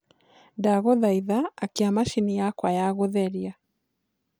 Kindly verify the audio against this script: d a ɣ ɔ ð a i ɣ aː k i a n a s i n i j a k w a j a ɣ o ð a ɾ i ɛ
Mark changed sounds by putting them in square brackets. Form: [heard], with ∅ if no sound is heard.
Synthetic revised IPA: d a ɣ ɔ ð a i [ð] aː k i a [m] a [ʃ] i n i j a k w a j a ɣ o ð [ɛ] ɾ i [a]